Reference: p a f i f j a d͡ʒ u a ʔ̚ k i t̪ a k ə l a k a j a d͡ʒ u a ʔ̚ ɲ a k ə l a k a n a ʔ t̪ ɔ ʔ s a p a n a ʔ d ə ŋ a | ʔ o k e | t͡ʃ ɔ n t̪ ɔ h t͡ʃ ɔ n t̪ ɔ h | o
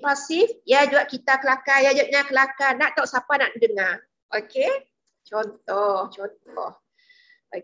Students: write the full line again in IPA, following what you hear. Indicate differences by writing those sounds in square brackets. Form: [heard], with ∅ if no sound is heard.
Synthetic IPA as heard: p a [s] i f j a d͡ʒ u a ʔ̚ k i t̪ a k ə l a k a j a d͡ʒ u a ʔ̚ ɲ a k ə l a k a n a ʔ t̪ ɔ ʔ s a p a n a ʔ d ə ŋ a | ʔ o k e | t͡ʃ ɔ n t̪ ɔ h t͡ʃ ɔ n t̪ ɔ h | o